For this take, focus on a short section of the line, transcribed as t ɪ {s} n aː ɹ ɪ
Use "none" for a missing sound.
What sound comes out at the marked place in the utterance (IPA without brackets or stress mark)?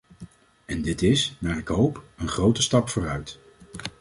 s